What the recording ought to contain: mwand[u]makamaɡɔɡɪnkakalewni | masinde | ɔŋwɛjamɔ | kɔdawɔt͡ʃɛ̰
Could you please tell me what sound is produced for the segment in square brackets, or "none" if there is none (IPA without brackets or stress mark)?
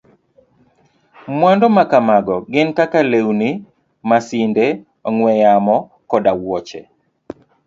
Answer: ɔ